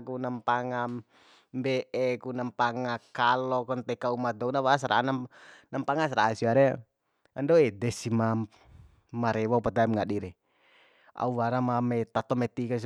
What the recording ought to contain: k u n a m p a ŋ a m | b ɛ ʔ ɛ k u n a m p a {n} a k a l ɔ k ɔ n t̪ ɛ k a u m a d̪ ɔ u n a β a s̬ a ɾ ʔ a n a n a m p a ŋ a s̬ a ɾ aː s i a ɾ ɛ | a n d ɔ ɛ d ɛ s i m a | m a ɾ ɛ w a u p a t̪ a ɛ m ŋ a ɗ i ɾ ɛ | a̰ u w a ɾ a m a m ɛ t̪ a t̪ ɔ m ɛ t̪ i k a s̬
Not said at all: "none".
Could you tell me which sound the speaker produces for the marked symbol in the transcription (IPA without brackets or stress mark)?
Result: ŋ